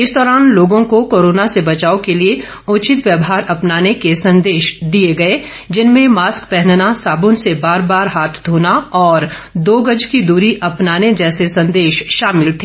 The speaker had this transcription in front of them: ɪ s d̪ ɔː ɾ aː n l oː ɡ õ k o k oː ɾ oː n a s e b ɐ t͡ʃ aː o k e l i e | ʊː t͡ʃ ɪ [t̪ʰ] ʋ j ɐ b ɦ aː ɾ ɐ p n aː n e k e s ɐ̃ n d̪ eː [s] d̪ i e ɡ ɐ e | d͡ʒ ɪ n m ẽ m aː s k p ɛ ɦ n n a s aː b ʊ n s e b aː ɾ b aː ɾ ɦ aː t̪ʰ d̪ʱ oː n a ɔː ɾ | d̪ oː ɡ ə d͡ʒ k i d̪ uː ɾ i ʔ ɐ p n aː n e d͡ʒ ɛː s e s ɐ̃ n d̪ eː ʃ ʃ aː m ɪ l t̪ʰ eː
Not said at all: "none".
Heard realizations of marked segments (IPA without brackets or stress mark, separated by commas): t̪, ʃ